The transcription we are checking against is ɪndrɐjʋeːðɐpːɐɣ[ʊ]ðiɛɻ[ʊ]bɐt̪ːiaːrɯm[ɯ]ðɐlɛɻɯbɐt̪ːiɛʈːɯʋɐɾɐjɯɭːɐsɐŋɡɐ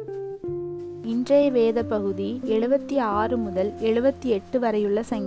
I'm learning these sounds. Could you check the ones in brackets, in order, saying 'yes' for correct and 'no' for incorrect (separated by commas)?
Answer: no, no, no